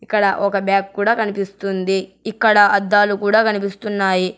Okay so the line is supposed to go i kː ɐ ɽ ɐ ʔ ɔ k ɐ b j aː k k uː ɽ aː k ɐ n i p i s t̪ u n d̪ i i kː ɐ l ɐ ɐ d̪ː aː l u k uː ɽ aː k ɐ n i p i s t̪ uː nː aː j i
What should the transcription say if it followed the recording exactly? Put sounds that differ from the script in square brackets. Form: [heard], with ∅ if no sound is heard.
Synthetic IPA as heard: i kː ɐ ɽ ɐ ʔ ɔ k ɐ b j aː k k uː ɽ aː k ɐ n i p i s t̪ u n d̪ i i kː ɐ [ɽ] ɐ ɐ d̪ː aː l u k uː ɽ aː k ɐ n i p i s t̪ [u] nː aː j i